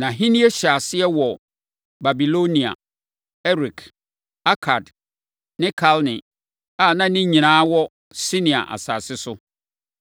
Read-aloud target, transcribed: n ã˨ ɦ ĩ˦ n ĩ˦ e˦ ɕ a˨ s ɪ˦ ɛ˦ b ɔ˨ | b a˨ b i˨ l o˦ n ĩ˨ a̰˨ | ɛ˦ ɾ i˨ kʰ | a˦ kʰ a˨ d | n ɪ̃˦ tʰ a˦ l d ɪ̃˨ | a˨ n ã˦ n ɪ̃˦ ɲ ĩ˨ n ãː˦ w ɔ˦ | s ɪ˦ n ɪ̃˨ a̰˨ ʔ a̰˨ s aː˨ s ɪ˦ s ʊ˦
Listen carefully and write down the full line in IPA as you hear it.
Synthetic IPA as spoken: n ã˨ ɦ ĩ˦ n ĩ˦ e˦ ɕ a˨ s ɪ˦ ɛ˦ w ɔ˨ | b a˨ b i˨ l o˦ n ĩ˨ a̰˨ | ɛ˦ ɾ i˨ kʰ | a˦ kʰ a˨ d | n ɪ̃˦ kʰ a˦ l n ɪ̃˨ | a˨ n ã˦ n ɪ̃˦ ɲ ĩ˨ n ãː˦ w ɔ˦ | s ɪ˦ n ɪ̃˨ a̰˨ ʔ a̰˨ s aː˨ s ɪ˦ s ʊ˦